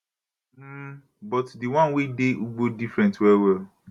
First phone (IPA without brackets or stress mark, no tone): b